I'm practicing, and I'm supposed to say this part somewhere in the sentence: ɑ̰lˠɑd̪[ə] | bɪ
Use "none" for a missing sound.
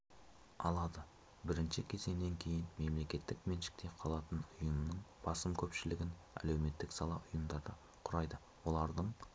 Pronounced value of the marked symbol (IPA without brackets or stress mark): ə